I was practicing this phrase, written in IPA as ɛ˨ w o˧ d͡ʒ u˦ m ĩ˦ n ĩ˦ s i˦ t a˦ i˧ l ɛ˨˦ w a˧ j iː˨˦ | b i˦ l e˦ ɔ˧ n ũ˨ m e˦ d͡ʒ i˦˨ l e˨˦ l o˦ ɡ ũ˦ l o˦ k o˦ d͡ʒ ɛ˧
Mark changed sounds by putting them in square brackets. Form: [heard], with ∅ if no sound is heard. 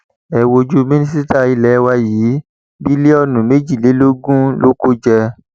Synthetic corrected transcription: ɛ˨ w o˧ d͡ʒ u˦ m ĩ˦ n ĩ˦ s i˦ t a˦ i˧ l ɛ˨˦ w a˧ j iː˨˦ | b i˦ l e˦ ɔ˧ n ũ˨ m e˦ d͡ʒ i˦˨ l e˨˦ l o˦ ɡ ũ˦ l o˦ k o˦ d͡ʒ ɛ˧